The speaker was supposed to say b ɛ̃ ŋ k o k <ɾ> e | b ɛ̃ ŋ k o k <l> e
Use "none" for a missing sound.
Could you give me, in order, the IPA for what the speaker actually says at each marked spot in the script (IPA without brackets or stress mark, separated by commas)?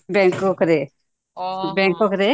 ɾ, ɾ